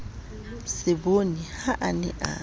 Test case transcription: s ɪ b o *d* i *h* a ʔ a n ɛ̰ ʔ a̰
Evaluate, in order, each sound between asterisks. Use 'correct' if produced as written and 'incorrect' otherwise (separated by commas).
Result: incorrect, correct